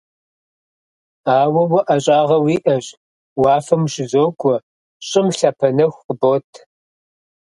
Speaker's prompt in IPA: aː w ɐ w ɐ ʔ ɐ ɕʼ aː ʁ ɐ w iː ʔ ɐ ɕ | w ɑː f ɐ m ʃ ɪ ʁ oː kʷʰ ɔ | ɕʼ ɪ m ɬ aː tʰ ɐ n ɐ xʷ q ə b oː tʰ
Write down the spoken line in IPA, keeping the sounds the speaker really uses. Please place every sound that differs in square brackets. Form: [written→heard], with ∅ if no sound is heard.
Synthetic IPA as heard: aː w ɐ w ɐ ʔ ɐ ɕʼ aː ʁ ɐ w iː ʔ ɐ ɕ | w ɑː f ɐ m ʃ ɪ [ʁ→z] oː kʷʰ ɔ | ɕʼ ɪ m ɬ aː [tʰ→pʰ] ɐ n ɐ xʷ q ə b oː tʰ